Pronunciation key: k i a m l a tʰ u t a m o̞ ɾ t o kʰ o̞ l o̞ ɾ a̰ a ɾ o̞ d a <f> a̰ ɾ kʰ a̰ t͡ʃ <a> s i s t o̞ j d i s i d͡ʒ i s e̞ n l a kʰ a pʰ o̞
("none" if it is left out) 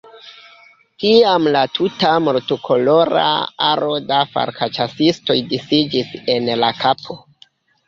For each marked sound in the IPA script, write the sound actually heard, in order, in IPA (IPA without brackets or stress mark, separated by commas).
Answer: f, a